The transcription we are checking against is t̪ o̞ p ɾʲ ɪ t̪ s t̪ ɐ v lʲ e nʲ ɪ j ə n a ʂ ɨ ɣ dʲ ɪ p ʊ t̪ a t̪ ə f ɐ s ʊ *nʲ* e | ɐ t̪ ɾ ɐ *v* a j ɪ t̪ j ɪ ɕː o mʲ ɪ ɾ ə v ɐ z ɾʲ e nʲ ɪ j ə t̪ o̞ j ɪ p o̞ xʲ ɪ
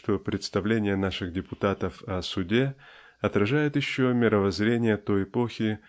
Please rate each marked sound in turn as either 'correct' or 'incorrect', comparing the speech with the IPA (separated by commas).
incorrect, incorrect